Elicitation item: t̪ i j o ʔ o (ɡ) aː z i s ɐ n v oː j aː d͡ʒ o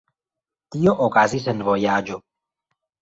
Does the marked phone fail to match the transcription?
yes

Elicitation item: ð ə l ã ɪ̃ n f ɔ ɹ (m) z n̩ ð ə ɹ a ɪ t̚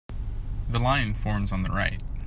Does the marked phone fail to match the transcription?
no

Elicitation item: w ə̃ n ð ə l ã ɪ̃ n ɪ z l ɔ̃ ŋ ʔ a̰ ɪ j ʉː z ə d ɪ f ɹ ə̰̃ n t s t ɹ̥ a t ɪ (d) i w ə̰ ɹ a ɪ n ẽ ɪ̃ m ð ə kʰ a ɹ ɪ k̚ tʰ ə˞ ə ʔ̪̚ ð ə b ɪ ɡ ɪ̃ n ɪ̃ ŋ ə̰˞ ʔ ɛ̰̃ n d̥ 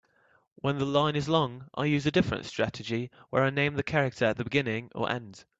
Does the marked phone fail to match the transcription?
yes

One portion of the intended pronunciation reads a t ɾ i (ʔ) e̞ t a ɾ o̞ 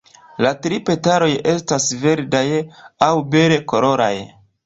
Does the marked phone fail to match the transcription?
yes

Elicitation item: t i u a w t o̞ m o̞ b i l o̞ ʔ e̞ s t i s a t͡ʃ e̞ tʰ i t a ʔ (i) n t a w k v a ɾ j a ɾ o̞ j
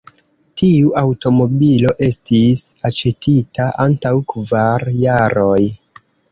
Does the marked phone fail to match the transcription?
yes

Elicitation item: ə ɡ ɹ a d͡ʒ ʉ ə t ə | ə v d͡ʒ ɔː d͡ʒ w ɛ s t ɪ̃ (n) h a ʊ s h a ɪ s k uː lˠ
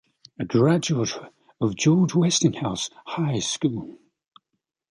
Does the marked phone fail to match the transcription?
yes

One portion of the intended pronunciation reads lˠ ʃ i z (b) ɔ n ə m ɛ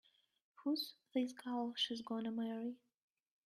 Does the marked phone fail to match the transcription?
yes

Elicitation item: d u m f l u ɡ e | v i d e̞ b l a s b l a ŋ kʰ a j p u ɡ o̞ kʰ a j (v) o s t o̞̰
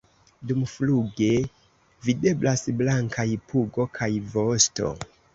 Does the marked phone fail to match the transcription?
no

